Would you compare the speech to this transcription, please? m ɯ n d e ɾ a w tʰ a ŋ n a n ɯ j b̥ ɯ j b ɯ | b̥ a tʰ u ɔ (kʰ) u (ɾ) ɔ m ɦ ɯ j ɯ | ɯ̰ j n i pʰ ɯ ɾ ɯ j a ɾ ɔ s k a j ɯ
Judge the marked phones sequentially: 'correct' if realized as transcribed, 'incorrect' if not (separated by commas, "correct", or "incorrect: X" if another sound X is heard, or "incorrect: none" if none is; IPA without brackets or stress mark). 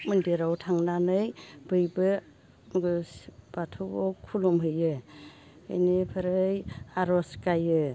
correct, incorrect: l